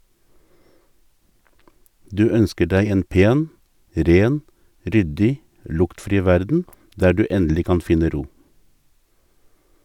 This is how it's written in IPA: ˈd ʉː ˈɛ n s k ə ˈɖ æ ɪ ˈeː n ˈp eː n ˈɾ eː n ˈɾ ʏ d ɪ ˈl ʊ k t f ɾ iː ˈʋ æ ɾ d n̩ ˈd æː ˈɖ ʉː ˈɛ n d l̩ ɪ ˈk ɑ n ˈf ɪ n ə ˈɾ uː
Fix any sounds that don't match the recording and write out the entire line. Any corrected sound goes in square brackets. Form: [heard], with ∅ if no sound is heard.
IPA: ˈd ʉː [ˈœ] n s k ə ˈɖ æ ɪ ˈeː n ˈp eː n ˈɾ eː n ˈɾ ʏ d ɪ ˈl ʊ k t f ɾ iː ˈʋ æ ɾ d n̩ ˈd æː ˈɖ ʉː ˈɛ n d l̩ ɪ ˈk ɑ n ˈf ɪ n ə ˈɾ uː